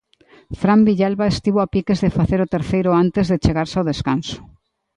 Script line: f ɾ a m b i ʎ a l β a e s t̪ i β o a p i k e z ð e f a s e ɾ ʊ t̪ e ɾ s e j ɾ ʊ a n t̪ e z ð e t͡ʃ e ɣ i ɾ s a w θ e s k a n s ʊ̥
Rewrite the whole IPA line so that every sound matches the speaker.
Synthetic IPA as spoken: f ɾ a m b i ʎ a l β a e s t̪ i β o a p i k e z ð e f a θ e ɾ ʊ t̪ e ɾ θ e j ɾ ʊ a n t̪ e z ð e t͡ʃ e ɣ a ɾ s a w ð e s k a n s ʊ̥